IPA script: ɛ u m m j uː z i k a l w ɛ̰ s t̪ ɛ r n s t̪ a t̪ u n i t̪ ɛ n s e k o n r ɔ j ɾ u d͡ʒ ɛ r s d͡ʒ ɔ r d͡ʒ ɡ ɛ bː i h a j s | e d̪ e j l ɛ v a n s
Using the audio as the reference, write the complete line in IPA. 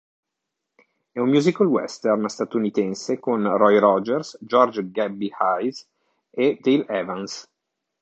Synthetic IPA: ɛ u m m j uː z i k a l w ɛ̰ s t̪ ɛ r n s t̪ a t̪ u n i t̪ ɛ n s e k o n r ɔ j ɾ ɔ d͡ʒ ɛ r s d͡ʒ ɔ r d͡ʒ ɡ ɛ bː i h a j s | e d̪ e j l ɛ v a n s